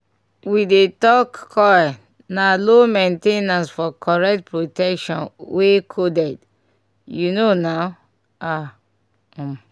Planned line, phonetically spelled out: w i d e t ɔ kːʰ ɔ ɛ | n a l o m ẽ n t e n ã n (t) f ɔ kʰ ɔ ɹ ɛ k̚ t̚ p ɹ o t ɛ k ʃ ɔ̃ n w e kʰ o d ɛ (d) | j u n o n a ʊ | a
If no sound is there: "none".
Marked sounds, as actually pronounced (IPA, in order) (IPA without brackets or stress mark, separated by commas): s, d